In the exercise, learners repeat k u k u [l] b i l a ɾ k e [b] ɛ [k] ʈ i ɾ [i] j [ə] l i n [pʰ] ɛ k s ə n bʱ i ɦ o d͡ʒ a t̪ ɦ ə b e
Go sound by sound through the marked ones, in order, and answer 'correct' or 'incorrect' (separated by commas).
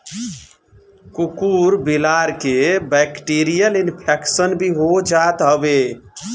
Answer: incorrect, correct, correct, correct, correct, correct